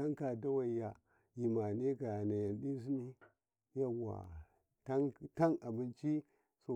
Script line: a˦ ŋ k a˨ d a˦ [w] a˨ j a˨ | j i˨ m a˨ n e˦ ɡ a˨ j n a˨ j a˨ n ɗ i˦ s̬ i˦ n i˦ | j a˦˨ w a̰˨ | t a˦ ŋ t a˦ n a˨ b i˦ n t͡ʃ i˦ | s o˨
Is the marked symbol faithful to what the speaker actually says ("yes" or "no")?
yes